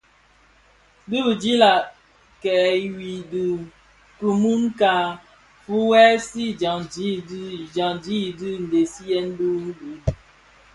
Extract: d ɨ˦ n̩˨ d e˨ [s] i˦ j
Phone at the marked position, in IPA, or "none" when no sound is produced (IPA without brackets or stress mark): s